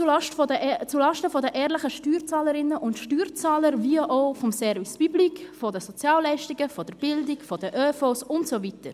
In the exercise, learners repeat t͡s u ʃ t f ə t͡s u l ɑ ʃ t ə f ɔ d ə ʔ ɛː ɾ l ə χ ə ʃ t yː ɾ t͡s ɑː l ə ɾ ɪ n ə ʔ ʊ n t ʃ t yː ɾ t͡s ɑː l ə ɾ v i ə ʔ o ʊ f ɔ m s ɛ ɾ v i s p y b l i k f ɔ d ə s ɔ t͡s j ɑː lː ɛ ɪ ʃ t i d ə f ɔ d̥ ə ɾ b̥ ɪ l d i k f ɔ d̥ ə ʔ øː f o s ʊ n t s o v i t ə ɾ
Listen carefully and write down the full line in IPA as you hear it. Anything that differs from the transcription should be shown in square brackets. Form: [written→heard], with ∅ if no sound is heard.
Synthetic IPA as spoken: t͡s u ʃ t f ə t͡s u l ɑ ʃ t ə f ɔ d ə ʔ ɛː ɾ l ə χ ə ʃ t yː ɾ t͡s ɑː l ə ɾ ɪ n ə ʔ ʊ n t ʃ t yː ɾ t͡s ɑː l ə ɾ v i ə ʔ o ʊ f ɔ m s ɛ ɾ v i s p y b l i k f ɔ d ə s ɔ t͡s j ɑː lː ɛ ɪ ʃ t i [d→ɡ] ə f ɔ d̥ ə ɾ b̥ ɪ l d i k f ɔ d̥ ə ʔ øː f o s ʊ n t s o v i t ə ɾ